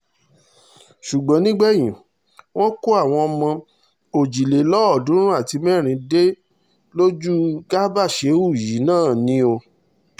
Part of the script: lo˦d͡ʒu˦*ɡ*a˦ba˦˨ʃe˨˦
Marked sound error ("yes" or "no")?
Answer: no